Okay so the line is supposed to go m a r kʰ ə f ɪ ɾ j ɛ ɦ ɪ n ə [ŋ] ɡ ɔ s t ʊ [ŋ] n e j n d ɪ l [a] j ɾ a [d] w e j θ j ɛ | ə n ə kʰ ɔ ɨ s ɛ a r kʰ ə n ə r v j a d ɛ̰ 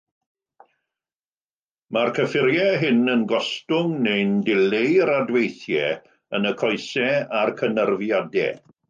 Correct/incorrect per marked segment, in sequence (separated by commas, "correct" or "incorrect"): incorrect, correct, incorrect, correct